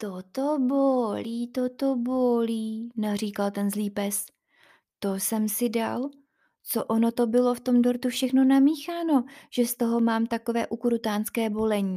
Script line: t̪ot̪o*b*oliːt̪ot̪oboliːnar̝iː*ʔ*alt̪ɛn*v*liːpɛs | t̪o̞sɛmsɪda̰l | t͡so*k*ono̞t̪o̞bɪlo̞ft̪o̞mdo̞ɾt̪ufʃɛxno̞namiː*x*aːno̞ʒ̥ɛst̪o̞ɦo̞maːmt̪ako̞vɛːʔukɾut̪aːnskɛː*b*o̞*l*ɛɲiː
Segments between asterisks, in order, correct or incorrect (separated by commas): correct, incorrect, incorrect, incorrect, correct, correct, correct